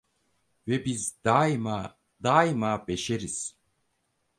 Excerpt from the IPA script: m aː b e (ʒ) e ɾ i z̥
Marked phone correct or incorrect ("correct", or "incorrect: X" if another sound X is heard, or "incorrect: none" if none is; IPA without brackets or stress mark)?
incorrect: ʃ